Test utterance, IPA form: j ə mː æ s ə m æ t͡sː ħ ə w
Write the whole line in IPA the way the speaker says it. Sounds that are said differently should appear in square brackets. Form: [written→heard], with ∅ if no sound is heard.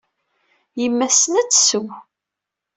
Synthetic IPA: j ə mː æ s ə [m→n] æ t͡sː [ħ→s] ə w